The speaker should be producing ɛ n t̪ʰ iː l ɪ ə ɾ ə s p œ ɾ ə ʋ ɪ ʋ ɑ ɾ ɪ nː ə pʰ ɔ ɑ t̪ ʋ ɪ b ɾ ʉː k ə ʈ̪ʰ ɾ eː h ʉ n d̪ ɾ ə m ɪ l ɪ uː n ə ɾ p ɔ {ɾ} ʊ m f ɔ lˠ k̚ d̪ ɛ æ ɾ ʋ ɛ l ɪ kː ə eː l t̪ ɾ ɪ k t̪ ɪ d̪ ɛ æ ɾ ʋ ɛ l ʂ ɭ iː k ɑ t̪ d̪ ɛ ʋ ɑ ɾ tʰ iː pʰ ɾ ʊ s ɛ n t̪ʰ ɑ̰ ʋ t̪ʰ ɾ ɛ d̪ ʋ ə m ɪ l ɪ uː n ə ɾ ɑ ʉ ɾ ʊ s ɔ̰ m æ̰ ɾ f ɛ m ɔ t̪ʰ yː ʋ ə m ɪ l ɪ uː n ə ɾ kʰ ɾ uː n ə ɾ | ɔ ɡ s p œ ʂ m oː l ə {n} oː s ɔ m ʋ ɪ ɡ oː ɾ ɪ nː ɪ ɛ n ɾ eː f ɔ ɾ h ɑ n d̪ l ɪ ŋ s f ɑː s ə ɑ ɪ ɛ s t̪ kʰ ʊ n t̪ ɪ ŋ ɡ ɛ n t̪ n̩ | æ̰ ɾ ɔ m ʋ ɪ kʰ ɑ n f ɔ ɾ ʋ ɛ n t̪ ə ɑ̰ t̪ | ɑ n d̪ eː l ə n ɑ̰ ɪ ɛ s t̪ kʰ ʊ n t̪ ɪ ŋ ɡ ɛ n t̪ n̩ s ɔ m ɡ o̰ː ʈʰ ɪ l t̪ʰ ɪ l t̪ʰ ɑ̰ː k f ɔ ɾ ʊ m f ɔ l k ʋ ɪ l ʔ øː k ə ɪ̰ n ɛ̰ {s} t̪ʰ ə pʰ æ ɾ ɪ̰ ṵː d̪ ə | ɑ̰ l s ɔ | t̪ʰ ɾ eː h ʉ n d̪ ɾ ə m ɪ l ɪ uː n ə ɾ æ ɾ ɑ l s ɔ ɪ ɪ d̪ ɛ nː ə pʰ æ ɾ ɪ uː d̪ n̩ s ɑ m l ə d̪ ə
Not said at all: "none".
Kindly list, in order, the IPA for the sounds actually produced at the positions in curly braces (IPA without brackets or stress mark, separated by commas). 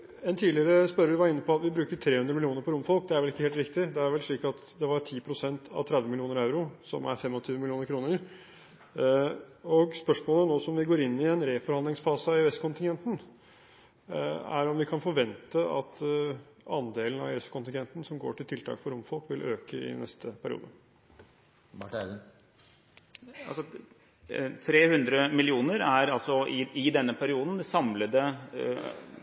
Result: ɾ, n, s